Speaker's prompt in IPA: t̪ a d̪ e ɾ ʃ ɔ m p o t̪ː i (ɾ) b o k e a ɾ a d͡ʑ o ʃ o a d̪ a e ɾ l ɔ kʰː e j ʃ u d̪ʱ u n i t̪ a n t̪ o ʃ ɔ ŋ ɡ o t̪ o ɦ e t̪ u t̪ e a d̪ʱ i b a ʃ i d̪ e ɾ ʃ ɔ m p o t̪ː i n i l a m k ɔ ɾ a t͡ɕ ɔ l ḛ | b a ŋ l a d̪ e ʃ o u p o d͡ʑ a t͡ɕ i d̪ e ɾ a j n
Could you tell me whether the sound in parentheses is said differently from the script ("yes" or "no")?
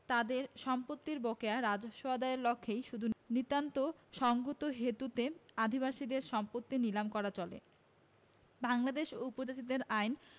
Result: no